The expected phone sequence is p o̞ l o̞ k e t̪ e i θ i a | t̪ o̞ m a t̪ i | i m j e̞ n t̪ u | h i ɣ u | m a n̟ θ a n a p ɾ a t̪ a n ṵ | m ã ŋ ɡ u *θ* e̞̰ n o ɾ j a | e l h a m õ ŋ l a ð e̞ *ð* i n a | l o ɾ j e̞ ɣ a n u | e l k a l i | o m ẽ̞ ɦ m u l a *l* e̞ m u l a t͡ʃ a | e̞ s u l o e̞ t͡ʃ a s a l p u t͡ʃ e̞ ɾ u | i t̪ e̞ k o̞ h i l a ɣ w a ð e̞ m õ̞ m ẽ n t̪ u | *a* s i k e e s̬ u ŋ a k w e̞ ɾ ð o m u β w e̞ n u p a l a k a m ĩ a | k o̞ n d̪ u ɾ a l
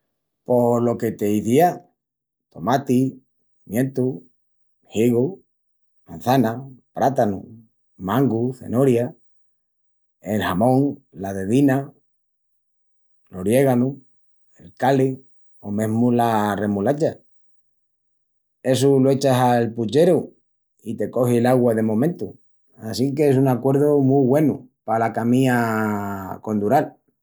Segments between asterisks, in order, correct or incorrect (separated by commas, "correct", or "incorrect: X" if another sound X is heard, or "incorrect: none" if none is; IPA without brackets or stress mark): correct, correct, incorrect: r, correct